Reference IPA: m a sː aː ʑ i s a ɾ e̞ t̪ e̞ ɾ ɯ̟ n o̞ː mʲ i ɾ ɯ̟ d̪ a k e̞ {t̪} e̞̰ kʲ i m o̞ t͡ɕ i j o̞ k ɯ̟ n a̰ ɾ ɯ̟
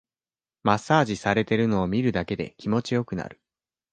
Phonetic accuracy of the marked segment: incorrect: d̪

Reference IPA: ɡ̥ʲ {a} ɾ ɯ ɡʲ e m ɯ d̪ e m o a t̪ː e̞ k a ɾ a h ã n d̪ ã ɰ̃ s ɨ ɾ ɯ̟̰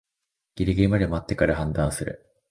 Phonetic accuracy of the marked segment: incorrect: i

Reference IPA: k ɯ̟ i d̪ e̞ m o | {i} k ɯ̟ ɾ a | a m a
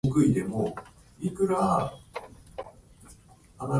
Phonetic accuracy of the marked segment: correct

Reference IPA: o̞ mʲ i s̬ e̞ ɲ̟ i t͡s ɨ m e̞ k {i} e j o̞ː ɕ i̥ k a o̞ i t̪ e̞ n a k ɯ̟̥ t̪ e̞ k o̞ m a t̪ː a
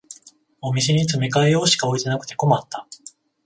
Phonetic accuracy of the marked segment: incorrect: a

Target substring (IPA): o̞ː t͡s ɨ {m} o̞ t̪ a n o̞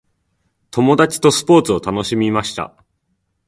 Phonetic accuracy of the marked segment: incorrect: none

